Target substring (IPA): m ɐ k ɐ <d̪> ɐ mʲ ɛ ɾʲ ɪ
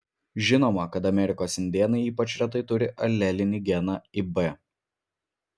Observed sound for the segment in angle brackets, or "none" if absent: t̪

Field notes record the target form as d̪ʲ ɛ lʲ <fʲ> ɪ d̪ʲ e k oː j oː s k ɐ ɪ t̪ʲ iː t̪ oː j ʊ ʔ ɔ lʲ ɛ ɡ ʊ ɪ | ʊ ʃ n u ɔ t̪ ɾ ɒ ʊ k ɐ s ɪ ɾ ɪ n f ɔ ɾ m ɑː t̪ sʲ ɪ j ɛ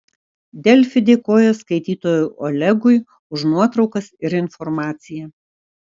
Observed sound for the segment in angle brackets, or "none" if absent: fʲ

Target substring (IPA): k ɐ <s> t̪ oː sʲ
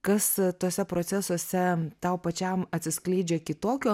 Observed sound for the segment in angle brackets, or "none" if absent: s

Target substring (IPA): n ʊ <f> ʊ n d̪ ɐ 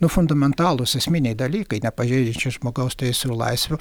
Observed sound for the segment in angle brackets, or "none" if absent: f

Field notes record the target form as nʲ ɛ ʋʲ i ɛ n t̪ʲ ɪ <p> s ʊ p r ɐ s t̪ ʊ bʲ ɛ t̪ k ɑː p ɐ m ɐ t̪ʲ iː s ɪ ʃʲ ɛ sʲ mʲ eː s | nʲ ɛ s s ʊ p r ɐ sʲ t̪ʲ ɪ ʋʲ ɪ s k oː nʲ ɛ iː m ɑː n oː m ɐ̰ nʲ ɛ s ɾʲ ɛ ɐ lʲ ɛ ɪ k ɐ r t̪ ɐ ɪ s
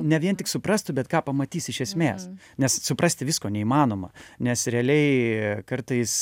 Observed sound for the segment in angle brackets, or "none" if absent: k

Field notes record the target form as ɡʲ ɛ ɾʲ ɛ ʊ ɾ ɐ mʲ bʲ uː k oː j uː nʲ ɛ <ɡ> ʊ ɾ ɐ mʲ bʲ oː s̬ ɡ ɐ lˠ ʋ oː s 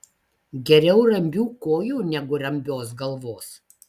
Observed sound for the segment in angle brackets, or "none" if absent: ɡ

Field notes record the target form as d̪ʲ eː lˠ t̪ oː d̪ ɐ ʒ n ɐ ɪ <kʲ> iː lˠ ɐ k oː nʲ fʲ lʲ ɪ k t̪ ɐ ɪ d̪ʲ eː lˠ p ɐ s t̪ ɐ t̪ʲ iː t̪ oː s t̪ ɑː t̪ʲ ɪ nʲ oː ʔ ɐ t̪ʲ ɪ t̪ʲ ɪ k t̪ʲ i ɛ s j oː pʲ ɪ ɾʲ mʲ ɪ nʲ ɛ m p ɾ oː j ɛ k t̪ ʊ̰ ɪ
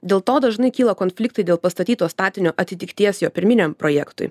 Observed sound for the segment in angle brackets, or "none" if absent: kʲ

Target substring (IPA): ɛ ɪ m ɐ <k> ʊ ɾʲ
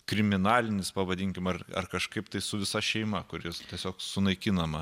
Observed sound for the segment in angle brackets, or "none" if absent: k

